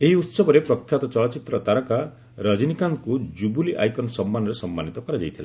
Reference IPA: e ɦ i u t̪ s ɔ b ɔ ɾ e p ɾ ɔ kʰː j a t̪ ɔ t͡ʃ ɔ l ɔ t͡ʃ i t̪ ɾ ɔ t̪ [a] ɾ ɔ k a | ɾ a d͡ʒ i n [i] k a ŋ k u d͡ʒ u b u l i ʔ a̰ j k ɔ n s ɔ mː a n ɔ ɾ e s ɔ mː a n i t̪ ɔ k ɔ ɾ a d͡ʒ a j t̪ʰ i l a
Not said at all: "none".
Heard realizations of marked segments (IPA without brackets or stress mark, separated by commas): a, i